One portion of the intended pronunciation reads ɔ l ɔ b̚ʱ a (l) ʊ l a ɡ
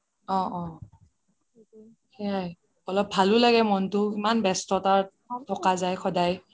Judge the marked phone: correct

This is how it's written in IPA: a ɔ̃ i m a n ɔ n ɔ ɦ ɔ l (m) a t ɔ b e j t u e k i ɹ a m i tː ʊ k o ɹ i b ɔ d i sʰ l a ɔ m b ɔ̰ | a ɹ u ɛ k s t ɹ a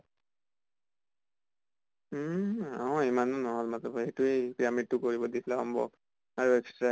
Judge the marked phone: correct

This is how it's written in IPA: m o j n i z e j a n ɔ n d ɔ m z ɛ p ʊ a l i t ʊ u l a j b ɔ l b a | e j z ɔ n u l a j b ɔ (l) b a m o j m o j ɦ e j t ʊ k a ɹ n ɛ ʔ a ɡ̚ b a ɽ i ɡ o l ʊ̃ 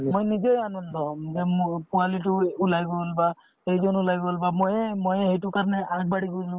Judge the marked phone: correct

